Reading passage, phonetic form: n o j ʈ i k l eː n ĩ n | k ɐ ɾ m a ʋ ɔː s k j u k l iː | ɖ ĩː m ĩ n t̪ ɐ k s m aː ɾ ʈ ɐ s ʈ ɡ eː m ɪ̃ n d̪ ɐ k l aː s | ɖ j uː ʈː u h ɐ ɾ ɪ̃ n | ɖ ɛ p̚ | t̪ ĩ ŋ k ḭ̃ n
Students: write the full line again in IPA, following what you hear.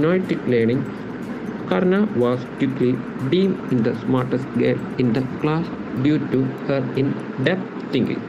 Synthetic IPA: n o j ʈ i k l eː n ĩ ŋ | k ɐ ɾ n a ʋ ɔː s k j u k l i | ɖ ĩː m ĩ n d̪ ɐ s m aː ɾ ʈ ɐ s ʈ ɡ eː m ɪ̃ n d̪ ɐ k l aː s | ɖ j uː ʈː u h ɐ ɾ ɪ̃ n | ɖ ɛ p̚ | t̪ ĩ ŋ k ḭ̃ ŋ